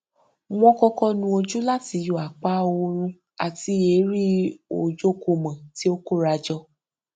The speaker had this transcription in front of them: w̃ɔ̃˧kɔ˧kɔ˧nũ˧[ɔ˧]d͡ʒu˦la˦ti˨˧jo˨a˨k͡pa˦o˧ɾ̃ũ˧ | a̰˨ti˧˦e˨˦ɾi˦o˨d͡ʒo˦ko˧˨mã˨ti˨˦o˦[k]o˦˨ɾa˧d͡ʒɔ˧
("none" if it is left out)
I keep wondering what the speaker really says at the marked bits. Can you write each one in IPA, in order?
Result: o˧, k

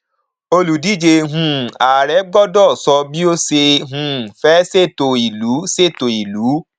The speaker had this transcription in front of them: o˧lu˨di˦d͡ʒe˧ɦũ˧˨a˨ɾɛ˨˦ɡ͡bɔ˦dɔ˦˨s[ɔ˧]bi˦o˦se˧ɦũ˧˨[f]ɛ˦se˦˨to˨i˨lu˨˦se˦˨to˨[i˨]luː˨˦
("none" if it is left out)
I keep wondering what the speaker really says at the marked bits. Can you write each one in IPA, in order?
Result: ɔ˧, f, i˨

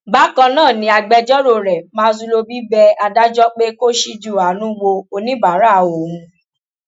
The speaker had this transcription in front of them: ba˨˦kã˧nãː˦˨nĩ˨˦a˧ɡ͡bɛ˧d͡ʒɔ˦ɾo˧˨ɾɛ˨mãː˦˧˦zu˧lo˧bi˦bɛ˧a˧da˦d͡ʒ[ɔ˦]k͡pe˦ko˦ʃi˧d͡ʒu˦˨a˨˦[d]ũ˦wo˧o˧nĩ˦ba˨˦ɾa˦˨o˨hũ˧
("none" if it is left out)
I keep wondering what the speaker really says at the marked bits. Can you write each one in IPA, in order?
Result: ɔ˦, n

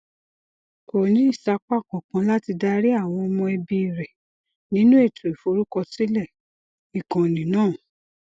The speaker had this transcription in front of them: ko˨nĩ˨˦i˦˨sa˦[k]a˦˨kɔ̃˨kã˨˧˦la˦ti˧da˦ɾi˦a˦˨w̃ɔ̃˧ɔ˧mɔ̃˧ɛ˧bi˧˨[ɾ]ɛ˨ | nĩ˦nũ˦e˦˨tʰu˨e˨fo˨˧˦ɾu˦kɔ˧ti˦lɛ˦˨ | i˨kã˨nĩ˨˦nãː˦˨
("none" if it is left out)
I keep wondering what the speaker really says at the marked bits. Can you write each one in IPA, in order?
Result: k͡p, ɾ

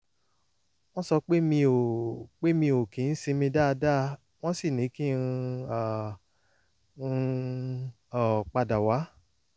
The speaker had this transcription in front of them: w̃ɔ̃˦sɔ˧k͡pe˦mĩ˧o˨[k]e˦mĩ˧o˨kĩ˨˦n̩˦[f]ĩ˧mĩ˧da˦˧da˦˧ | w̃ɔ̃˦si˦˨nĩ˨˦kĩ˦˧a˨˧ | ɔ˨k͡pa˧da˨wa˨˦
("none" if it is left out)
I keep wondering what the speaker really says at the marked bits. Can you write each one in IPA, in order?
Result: k͡p, s

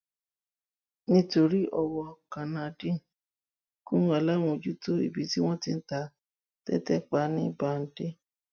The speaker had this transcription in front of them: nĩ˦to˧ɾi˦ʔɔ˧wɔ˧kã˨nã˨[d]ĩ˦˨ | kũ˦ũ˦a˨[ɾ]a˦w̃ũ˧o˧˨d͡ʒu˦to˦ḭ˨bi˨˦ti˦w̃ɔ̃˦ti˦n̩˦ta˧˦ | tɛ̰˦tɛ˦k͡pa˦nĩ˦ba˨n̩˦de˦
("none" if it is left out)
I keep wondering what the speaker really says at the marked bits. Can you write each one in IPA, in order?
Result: d, l

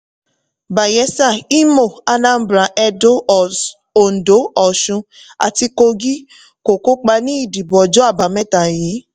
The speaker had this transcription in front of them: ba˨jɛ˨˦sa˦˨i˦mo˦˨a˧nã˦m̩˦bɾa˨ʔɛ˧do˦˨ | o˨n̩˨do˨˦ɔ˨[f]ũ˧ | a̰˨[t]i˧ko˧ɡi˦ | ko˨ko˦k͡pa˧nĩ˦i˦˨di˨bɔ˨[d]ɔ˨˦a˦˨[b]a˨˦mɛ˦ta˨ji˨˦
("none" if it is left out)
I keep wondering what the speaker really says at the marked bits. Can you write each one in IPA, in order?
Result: ʃ, t, d͡ʒ, b

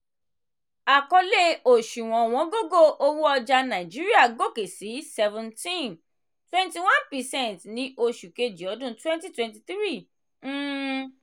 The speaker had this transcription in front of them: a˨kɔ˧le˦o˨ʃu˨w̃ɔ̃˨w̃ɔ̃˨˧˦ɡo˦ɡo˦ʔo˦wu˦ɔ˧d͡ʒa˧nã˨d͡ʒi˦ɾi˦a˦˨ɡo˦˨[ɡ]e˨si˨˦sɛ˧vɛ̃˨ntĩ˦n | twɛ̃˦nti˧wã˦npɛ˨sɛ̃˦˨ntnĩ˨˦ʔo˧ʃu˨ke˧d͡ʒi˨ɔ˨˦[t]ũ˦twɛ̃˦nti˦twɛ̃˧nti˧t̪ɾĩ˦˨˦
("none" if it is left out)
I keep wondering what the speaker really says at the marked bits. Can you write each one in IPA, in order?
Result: k, d

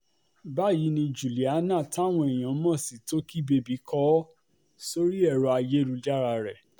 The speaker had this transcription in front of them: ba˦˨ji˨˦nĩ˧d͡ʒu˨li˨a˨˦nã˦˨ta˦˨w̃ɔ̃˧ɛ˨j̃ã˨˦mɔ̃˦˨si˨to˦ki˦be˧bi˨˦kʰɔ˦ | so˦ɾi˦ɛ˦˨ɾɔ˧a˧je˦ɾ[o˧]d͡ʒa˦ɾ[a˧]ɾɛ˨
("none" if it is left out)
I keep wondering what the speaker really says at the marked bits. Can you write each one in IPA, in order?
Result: u˧, a˧

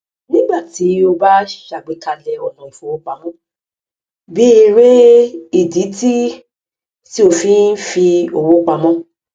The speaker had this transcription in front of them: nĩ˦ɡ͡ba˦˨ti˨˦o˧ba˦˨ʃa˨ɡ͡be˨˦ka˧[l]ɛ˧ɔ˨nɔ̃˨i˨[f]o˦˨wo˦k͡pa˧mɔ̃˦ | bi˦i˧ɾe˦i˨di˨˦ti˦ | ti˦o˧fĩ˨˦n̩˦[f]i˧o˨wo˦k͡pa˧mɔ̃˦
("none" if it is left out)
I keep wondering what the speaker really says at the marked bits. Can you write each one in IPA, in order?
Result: l, f, f

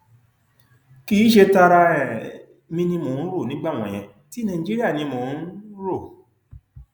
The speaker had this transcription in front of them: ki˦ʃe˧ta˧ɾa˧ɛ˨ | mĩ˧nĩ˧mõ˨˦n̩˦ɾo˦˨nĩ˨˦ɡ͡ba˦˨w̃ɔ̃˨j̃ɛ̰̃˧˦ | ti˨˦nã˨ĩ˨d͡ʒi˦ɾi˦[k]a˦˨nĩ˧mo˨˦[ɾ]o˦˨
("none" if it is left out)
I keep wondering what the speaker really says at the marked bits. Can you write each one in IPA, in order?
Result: none, ɾ

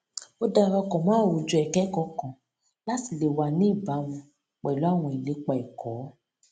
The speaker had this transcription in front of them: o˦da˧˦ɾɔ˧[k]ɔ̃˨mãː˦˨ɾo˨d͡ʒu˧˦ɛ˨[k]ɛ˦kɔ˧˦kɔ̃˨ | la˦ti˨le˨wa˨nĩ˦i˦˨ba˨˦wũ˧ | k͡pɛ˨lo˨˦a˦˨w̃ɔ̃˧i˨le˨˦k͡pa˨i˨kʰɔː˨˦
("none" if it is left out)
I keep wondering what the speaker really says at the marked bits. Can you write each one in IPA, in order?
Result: k, k

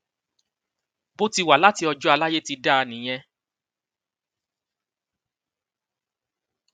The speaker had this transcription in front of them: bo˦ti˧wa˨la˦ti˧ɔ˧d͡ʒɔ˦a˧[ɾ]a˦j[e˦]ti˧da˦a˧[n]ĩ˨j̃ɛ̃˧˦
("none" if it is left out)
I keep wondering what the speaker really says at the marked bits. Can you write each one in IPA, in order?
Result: l, e˦, n

